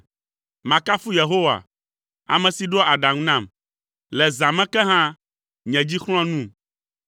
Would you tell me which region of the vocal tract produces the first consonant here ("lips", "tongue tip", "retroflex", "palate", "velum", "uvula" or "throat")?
lips